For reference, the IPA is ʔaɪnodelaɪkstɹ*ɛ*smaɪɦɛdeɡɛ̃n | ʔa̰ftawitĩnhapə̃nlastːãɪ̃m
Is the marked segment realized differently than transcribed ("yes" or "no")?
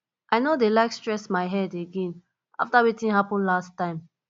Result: no